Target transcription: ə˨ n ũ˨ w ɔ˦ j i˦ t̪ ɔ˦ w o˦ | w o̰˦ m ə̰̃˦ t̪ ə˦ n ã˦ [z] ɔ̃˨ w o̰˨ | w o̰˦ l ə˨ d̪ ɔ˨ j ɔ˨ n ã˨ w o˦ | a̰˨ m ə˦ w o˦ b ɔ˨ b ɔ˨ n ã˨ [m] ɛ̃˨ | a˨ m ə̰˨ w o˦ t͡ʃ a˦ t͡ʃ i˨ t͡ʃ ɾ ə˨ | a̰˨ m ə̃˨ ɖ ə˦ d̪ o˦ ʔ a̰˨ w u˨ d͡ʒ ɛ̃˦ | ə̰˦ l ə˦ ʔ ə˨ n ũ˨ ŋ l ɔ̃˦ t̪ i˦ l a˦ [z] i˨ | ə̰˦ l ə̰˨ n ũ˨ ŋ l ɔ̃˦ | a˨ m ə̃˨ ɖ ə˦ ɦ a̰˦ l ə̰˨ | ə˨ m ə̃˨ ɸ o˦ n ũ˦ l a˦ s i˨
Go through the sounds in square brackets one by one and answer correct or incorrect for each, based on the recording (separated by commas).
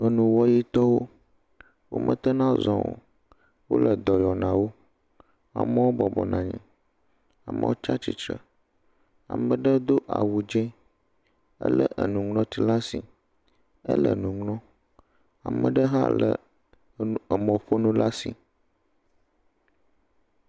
correct, incorrect, incorrect